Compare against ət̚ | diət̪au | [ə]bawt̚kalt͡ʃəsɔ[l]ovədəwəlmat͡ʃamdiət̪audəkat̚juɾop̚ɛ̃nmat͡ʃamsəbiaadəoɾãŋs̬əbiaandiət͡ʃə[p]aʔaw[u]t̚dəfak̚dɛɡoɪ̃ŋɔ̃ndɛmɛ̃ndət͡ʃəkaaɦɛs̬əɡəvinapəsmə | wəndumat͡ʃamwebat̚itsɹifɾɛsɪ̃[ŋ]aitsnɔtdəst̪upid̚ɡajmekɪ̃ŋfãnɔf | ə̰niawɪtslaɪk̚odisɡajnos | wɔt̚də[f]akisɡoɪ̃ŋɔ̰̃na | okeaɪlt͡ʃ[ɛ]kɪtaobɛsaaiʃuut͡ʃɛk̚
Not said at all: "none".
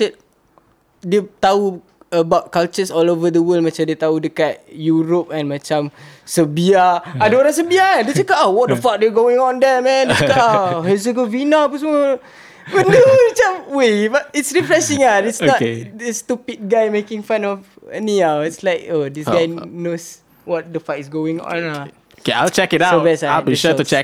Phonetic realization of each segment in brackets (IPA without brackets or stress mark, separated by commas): ə, l, k, ɔ, ŋ, f, ɛ